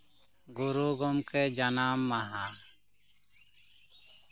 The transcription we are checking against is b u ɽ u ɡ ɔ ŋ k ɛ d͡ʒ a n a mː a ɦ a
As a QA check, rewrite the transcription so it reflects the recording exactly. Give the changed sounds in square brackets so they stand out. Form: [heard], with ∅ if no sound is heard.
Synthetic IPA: [ɡ] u [ɾ] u ɡ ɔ [m] k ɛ d͡ʒ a n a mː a ɦ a